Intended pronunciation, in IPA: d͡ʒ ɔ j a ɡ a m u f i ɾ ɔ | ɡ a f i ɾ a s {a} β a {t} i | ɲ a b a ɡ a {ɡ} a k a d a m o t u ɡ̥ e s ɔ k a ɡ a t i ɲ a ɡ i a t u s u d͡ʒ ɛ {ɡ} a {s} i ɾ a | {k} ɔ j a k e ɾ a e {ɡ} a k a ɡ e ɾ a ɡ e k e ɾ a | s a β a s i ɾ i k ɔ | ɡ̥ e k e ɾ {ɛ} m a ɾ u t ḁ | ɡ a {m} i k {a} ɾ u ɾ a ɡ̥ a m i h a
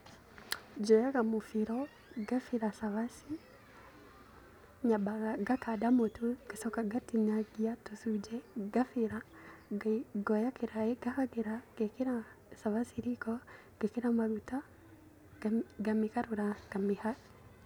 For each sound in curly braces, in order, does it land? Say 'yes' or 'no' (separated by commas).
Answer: yes, no, yes, yes, no, no, yes, no, yes, yes